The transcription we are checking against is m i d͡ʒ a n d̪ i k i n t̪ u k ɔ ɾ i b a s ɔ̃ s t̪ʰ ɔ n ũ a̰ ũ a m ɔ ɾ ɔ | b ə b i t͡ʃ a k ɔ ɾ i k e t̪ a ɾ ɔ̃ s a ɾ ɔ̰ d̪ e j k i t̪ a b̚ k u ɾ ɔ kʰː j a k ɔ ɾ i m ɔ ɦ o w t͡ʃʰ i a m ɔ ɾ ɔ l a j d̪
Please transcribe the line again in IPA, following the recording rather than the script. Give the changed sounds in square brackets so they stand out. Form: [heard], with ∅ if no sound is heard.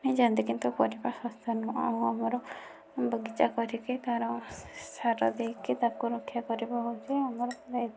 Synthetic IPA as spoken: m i d͡ʒ a n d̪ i k i n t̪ u k ɔ ɾ i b a s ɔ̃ s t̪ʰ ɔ n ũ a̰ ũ a m ɔ ɾ ɔ | b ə [ɡ] i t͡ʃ a k ɔ ɾ i k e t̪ a ɾ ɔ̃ s a ɾ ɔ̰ d̪ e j k i t̪ a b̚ k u ɾ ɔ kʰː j a k ɔ ɾ i [b] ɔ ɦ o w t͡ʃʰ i a m ɔ ɾ ɔ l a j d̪